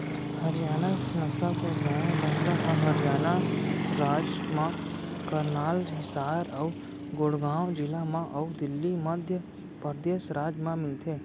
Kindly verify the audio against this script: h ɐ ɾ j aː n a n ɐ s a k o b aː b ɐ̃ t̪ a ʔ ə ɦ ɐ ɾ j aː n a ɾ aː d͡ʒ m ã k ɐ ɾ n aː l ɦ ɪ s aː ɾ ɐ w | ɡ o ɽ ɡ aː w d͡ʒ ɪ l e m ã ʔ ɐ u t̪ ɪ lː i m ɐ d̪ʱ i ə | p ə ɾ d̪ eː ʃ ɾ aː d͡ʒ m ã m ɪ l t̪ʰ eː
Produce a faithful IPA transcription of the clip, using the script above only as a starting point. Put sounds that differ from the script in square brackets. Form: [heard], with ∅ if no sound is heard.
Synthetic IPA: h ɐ ɾ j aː n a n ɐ s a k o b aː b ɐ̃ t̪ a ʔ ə ɦ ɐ ɾ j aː n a ɾ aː d͡ʒ m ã k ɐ ɾ n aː l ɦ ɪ s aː ɾ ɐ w | ɡ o ɽ ɡ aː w d͡ʒ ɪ l [a] m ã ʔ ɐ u [d̪] ɪ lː i m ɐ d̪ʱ [j] ə | p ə ɾ d̪ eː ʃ ɾ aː d͡ʒ m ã m ɪ l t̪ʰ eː